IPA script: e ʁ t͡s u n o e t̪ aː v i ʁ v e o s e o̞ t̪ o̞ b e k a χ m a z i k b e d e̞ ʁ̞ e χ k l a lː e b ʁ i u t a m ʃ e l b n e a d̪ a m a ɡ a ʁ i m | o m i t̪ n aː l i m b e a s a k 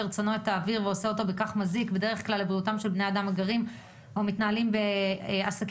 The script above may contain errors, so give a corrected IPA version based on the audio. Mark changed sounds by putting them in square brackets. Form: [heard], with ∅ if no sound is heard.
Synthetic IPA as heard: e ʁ t͡s [o] n o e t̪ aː v i ʁ v e o s e o̞ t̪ o̞ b e k a χ m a z i k b e d e̞ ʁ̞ e χ k l a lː e b ʁ i u t a m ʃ e l b n e a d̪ a m a ɡ a ʁ i m | o m i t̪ n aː l i m b e a s a k